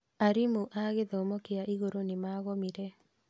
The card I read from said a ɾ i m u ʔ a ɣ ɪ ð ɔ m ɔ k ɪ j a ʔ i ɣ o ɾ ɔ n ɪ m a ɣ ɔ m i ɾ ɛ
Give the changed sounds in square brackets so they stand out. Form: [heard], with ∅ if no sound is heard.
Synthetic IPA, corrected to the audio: a ɾ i m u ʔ a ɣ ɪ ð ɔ m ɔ k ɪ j a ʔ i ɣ o ɾ [o] n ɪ m a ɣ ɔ m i ɾ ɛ